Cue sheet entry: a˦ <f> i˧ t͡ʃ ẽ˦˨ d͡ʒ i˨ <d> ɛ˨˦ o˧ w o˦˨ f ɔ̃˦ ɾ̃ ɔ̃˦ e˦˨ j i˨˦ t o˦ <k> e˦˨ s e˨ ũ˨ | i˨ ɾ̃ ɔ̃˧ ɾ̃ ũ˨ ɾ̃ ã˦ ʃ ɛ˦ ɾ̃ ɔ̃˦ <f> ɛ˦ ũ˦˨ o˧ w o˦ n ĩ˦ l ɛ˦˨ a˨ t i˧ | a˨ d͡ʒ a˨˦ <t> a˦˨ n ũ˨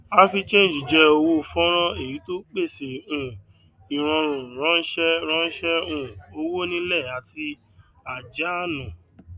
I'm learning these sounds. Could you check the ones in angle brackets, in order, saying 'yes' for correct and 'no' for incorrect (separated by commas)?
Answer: yes, no, no, no, no